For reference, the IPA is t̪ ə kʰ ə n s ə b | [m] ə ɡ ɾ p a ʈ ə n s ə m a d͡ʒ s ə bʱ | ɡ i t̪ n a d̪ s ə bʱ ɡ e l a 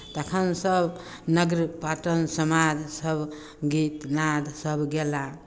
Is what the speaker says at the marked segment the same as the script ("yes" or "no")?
no